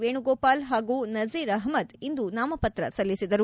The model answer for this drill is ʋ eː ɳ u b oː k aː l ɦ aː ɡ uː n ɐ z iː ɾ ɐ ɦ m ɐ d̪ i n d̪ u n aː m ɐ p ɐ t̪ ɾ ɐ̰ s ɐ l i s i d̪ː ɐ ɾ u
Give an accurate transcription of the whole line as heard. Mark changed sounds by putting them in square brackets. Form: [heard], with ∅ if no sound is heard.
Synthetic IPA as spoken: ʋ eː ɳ u [ɡ] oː [p] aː l ɦ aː ɡ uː n ɐ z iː ɾ ɐ ɦ m ɐ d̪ i n d̪ u n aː m ɐ p ɐ t̪ ɾ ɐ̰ s ɐ [lː] i s i [d̪] ɐ ɾ u